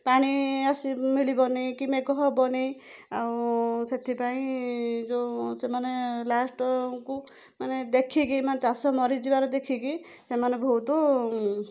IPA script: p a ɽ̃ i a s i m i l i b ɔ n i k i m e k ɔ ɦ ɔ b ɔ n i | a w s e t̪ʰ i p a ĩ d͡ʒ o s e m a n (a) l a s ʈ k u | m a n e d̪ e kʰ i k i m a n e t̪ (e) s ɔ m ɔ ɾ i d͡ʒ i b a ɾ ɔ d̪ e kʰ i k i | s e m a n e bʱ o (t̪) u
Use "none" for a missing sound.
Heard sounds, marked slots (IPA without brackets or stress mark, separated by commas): e, a, t̪